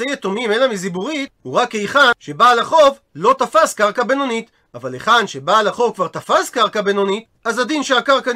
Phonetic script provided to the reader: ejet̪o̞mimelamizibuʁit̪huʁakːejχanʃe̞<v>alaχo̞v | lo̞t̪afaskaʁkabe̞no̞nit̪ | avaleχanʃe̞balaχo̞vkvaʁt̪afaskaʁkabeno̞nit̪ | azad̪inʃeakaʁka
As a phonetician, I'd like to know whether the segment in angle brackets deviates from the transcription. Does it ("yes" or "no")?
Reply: yes